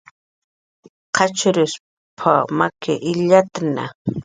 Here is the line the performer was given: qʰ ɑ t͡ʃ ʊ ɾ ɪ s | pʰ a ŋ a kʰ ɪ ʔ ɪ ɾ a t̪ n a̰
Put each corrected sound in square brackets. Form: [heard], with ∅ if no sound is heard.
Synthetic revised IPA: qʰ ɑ t͡ʃ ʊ ɾ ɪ s | pʰ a [m] a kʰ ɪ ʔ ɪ [ʎ] a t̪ n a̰